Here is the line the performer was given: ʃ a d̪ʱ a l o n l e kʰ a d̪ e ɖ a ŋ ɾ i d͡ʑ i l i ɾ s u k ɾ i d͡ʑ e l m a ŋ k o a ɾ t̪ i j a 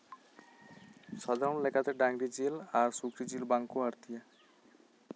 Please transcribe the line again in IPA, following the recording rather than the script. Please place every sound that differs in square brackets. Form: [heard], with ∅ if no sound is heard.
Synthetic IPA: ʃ a d̪ʱ a [ɾ] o n l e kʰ a [t̪] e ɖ a ŋ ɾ i d͡ʑ i l [a] ɾ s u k ɾ i d͡ʑ [i] l [b] a ŋ k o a ɾ t̪ i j a